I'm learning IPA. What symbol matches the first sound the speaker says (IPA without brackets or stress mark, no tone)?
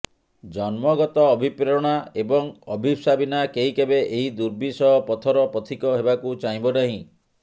d͡ʒ